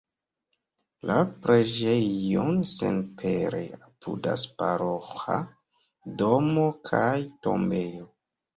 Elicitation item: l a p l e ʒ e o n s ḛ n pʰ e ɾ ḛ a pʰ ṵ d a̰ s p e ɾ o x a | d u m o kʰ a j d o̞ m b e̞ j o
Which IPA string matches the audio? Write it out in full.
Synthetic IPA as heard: l a p ɾ e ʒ e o n s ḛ n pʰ e ɾ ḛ a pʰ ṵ d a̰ s p a ɾ o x a | d o m o kʰ a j t o̞ m b e̞ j o